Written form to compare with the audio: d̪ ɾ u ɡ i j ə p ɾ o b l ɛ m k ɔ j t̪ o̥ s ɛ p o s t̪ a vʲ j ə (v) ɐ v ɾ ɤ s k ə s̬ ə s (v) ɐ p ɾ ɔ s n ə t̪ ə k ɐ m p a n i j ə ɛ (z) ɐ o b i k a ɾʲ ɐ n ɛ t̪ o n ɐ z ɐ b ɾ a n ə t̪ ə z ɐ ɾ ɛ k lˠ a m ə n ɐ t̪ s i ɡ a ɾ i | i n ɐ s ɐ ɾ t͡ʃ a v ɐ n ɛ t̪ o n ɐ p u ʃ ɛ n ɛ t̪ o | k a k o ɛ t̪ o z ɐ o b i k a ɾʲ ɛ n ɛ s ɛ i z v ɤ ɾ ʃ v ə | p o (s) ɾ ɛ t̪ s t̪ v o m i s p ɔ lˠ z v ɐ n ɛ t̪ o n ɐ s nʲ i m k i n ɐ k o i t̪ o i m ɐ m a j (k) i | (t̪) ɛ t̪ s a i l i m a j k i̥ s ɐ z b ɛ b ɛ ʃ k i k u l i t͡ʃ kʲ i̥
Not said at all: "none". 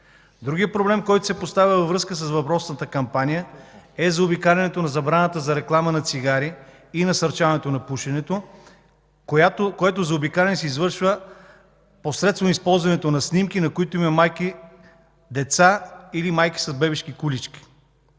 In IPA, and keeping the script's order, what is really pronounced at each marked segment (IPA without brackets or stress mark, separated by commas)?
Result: v, v, z, s, k, d̪